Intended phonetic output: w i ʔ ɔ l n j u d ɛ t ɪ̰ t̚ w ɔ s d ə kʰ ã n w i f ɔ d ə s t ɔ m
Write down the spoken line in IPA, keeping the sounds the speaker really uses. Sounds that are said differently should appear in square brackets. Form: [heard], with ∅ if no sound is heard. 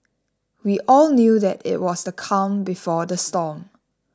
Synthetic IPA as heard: w i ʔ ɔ l n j u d ɛ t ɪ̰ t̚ w ɔ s d ə kʰ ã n [b] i f ɔ d ə s t ɔ m